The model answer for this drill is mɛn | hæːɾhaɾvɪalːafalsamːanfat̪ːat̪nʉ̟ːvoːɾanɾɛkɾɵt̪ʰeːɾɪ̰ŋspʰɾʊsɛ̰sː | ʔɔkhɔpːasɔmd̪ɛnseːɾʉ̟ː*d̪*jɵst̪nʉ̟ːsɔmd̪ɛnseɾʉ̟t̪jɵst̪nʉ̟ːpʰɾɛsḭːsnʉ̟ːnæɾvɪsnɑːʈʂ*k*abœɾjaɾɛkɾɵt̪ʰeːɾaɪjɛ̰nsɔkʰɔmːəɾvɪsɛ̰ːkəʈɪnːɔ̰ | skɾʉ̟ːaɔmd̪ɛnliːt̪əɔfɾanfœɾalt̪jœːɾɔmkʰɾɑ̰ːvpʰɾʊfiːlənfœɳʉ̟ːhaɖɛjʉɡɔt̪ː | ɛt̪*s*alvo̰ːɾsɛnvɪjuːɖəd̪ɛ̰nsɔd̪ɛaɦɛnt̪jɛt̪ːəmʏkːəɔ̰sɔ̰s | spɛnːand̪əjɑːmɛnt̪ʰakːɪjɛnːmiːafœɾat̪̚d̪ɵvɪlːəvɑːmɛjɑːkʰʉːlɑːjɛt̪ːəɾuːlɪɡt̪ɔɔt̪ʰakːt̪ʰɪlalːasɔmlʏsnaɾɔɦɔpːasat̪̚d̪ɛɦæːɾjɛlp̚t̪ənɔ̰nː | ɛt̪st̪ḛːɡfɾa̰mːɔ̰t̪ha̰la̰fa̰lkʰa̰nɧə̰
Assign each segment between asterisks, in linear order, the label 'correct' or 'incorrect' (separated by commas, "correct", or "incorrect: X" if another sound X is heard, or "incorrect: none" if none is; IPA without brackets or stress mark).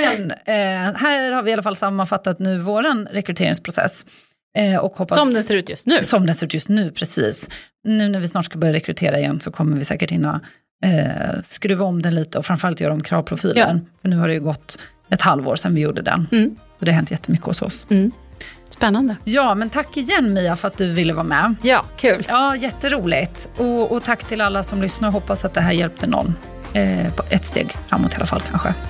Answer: incorrect: t̪, correct, incorrect: h